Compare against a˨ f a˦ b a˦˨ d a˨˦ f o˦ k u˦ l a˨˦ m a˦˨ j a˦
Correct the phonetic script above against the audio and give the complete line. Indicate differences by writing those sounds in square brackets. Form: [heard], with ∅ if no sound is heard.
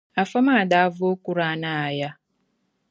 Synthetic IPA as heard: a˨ f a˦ [m] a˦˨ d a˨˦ [v] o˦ k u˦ [ɾ] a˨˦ [n] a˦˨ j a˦